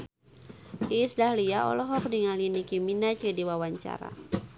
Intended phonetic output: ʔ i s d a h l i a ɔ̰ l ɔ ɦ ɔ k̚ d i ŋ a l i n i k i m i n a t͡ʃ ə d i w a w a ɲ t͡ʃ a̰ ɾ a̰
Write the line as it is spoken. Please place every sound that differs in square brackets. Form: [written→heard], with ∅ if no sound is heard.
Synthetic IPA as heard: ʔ i s d a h l i a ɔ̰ l ɔ ɦ ɔ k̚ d i ŋ a l i n i k i m i n a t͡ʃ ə d i w a w a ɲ t͡ʃ a̰ ɾ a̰